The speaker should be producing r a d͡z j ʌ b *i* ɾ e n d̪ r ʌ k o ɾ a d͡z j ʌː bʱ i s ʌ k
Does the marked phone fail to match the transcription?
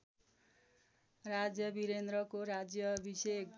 no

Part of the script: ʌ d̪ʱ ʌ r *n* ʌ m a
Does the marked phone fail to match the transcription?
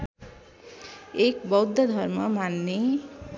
yes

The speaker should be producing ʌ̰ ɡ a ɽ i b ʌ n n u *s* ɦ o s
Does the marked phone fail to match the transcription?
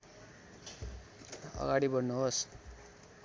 yes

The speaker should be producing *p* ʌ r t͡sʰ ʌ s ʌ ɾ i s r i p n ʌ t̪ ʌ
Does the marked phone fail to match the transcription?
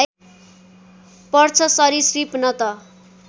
no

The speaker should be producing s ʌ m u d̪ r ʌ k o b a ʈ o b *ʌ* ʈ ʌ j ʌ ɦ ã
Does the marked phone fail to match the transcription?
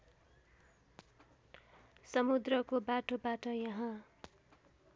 yes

